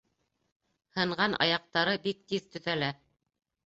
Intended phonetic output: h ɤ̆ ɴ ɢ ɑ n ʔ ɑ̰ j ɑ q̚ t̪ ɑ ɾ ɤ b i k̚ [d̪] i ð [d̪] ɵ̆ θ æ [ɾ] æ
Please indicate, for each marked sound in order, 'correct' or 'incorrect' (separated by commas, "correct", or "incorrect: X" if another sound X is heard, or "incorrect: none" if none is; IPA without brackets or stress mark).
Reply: incorrect: t̪, incorrect: t̪, incorrect: l